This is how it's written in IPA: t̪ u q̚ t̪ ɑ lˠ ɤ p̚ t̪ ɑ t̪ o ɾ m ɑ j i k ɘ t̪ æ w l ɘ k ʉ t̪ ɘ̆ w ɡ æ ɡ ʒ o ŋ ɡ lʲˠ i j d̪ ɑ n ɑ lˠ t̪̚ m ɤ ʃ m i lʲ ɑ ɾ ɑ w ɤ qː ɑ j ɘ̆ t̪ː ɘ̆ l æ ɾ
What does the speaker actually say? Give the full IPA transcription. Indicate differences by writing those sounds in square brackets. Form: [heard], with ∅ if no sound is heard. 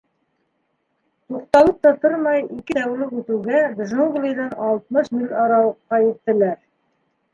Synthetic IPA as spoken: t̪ u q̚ t̪ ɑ lˠ ɤ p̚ t̪ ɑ t̪ o ɾ m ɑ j i k ɘ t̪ æ w l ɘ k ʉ t̪ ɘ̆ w ɡ æ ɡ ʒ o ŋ ɡ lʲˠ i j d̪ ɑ n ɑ lˠ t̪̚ m ɤ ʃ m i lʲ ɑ ɾ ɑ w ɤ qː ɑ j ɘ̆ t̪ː ɘ̆ l æ ɾ